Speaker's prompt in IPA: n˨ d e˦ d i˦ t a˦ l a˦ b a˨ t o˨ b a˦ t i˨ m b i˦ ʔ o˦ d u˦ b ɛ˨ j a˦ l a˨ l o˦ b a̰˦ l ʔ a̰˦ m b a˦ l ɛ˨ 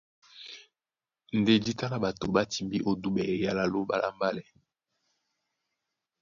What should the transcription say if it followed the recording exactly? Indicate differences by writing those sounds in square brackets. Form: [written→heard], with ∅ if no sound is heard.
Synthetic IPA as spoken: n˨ d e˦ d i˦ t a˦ l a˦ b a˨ t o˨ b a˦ t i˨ m b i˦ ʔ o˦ d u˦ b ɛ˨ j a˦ l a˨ l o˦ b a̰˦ l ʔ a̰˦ m b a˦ l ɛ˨